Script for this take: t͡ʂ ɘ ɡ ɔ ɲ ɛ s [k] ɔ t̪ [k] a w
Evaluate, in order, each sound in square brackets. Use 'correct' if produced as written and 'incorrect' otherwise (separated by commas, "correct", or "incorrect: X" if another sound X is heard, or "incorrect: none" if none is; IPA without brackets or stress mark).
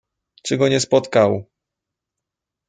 incorrect: p, correct